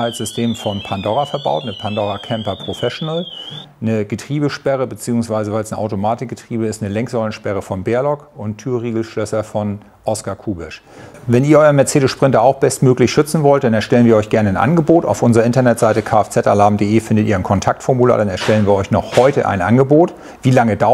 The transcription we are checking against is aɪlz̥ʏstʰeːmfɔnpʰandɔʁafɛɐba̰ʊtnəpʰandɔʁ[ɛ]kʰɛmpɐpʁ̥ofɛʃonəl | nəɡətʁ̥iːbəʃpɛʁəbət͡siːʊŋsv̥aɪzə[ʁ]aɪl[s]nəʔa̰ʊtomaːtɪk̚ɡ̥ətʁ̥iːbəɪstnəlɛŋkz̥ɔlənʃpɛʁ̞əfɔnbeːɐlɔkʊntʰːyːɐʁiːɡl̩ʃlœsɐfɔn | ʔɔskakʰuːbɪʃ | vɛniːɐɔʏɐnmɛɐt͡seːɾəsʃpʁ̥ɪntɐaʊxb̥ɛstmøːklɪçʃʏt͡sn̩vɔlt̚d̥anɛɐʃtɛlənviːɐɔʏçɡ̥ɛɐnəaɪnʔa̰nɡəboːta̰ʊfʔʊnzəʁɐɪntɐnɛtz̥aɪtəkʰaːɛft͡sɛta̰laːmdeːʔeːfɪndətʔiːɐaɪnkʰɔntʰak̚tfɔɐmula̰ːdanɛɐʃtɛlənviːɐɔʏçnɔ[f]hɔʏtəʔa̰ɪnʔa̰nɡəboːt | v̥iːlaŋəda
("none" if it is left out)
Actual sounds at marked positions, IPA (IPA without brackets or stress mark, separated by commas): a, v, s, χ